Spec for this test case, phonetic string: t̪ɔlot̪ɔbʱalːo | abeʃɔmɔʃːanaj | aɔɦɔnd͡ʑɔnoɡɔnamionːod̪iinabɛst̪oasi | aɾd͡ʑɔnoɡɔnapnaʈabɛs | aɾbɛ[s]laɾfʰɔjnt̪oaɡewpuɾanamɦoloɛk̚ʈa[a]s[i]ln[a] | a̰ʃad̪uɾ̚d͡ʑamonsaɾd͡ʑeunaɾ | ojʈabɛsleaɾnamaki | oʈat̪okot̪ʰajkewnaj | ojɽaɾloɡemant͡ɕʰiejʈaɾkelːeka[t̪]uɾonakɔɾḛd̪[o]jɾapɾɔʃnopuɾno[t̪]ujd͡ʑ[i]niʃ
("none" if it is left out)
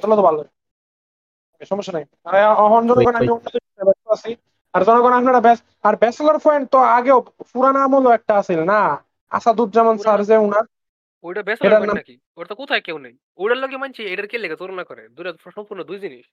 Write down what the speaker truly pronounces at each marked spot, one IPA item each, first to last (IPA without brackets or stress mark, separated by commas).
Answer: s, a, i, a, t̪, u, d̪, i